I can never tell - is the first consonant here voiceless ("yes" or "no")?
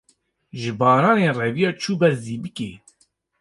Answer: no